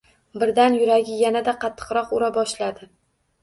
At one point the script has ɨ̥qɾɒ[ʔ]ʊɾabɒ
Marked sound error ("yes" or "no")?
yes